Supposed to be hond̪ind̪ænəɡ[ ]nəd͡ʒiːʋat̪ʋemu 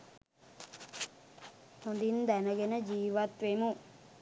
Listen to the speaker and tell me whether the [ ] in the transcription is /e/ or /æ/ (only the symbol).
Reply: e